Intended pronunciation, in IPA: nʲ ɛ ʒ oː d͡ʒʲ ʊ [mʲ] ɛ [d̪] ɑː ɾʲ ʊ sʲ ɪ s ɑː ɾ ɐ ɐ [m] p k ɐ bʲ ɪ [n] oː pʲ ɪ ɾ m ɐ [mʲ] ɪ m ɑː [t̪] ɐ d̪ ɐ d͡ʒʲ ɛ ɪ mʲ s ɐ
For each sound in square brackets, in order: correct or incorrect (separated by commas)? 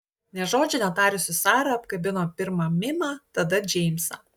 incorrect, incorrect, incorrect, correct, correct, correct